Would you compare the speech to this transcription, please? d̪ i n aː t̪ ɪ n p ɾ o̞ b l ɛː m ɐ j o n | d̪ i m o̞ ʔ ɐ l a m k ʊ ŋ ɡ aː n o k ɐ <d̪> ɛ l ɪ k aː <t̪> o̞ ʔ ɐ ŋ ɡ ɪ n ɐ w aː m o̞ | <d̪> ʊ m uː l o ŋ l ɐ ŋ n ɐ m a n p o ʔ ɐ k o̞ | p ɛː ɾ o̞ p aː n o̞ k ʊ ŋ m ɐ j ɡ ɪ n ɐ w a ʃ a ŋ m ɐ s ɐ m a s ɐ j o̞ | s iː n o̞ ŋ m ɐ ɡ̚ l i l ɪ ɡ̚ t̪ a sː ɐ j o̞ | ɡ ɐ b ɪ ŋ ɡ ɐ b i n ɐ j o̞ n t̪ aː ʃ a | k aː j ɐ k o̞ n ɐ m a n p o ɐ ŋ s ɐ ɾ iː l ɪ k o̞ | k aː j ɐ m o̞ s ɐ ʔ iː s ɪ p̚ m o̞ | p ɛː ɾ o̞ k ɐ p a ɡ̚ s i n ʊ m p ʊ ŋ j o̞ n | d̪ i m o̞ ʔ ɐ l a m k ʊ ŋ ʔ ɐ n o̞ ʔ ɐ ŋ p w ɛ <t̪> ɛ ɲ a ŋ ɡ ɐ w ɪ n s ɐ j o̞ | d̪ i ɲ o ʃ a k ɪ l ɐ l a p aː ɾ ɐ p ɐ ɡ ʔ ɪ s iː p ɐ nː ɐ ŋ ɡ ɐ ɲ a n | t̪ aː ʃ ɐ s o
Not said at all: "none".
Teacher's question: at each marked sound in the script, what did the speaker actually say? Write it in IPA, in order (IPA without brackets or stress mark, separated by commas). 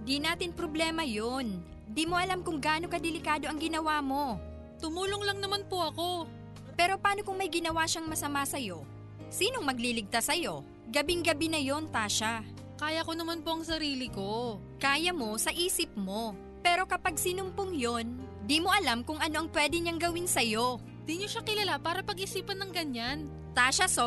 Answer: d̪, d̪, t̪, d̪